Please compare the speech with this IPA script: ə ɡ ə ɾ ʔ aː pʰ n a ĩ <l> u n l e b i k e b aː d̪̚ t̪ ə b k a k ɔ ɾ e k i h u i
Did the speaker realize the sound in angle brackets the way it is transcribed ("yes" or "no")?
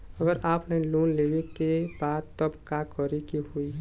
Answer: yes